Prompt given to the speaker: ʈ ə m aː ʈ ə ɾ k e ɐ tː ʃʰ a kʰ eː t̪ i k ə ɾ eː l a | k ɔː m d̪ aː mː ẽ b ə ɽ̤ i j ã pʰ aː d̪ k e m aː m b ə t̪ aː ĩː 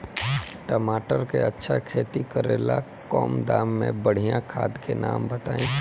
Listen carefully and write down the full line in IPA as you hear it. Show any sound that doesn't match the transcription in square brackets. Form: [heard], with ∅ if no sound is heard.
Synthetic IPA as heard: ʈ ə m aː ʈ ə ɾ k e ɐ tː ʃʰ a kʰ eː t̪ i k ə ɾ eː l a | k ɔː m d̪ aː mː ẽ b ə ɽ̤ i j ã [kʰ] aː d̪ k e [n] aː m b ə t̪ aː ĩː